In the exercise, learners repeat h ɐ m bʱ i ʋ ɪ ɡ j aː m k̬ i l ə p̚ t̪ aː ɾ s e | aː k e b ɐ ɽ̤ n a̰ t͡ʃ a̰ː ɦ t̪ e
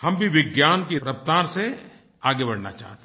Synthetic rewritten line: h ɐ m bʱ i ʋ ɪ ɡ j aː n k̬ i ɾ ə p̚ t̪ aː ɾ s e | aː ɡ e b ɐ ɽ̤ n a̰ t͡ʃ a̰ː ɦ t̪ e